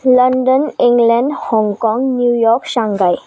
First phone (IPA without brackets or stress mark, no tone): l